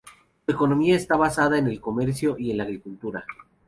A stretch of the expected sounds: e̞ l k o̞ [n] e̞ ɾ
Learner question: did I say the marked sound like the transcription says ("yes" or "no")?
no